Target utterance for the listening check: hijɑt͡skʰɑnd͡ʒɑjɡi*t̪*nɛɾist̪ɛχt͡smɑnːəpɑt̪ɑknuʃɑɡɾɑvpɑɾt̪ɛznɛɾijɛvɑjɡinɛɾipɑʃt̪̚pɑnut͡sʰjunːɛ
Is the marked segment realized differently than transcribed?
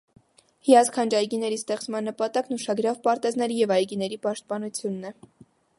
yes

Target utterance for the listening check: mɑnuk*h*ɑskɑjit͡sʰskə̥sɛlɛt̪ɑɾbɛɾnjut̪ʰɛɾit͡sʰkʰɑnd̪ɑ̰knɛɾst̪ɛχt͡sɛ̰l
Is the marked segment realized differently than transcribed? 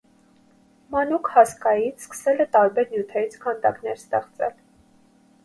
no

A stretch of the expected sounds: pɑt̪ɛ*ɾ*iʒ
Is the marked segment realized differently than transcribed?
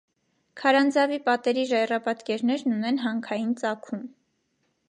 no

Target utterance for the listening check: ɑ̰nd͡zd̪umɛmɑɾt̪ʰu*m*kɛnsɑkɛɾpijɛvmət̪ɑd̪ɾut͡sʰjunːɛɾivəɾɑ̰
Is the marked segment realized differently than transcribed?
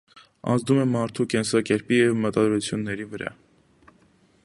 yes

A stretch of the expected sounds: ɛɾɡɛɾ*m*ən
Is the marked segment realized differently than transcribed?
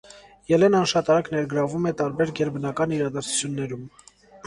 yes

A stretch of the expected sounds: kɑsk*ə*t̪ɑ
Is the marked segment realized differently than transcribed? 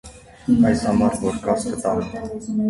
no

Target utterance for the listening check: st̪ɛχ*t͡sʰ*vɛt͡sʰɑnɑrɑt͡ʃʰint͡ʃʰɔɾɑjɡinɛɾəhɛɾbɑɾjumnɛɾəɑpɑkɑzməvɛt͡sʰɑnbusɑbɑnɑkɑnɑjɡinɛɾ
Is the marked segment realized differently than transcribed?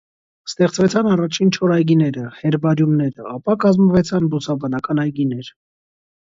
yes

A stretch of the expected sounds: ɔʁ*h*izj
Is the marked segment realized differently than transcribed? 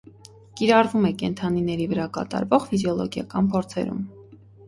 yes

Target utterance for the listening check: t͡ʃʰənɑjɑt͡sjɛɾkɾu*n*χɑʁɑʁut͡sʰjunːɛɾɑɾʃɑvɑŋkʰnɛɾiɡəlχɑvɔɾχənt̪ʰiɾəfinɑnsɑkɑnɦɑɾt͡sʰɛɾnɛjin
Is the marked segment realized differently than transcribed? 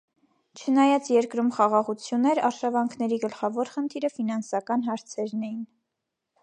yes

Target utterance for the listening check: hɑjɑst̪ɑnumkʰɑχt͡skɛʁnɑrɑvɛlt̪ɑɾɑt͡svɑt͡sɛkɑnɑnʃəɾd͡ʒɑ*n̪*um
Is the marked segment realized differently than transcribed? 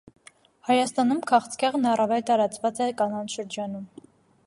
no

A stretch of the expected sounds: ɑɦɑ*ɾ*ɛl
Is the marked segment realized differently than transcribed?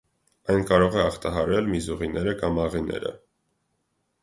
no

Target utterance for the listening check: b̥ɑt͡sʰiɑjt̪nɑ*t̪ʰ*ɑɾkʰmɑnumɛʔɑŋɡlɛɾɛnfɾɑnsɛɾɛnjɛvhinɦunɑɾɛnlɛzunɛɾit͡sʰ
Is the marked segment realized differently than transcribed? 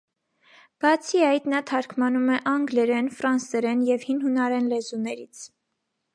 no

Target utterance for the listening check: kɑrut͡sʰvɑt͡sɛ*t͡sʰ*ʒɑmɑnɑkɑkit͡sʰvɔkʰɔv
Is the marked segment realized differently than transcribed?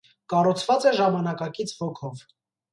yes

